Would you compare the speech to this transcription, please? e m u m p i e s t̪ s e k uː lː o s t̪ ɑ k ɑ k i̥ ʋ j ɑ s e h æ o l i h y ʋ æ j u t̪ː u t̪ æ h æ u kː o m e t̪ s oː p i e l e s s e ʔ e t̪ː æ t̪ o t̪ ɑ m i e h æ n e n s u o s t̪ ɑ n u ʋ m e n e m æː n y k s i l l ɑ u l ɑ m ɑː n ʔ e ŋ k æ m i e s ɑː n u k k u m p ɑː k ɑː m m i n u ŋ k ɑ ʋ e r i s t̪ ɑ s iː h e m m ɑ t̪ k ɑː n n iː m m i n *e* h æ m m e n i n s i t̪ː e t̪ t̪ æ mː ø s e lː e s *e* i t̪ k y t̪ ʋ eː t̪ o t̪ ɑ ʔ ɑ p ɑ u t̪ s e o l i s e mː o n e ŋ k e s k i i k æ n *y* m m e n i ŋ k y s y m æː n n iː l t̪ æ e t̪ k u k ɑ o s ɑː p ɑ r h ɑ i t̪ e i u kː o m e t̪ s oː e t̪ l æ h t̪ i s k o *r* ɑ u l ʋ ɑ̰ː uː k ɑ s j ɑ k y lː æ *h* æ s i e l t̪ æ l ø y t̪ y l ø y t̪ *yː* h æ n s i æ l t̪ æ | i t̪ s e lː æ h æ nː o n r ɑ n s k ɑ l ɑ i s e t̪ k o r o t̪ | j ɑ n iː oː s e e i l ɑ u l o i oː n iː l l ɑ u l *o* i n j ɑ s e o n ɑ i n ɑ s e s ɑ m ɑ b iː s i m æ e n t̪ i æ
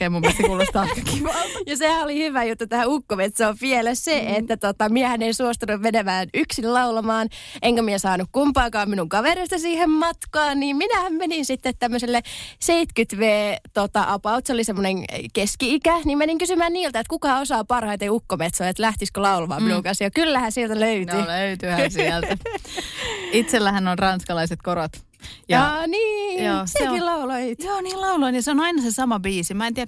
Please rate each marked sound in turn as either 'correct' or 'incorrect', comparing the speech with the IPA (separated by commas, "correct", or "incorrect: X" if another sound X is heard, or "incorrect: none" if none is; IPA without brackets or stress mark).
incorrect: æ, correct, incorrect: i, incorrect: l, correct, incorrect: y, correct